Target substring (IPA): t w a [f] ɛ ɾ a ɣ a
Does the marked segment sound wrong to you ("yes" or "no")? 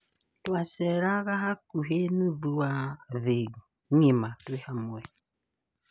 yes